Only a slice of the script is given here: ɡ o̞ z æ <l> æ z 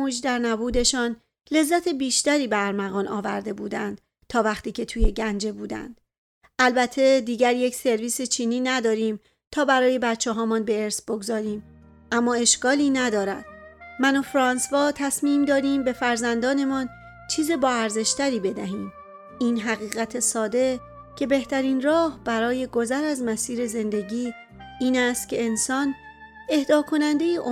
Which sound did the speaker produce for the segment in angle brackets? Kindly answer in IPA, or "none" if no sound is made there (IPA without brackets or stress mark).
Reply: ɾ